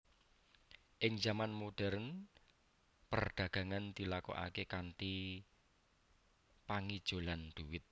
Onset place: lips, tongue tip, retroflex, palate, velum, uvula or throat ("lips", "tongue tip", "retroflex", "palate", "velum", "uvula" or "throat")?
throat